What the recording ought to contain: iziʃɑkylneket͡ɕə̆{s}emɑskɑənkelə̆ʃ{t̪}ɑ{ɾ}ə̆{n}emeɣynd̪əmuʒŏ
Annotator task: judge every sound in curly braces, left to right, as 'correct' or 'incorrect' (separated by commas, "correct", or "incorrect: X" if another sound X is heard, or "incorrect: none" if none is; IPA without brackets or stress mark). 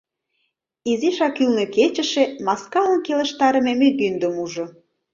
incorrect: ʃ, correct, correct, incorrect: m